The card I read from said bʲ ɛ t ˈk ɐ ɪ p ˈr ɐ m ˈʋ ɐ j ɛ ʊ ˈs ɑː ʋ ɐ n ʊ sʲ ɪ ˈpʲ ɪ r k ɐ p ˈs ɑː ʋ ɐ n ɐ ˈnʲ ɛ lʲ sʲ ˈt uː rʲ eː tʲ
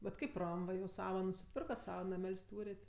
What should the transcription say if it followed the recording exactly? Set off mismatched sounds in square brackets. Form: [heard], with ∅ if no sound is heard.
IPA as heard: bʲ ɛ t ˈk ɐ ɪ p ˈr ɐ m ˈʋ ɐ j ɛ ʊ ˈs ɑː ʋ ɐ n ʊ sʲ ɪ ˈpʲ ɪ r k ɐ [t] ˈs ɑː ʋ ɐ n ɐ [ˈmʲ] ɛ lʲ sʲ ˈt uː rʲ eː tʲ